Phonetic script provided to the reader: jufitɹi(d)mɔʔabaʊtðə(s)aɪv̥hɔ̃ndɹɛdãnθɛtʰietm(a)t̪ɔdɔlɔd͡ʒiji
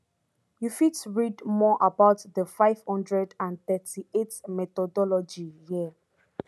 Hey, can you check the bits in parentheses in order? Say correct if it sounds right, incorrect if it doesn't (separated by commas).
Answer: correct, incorrect, incorrect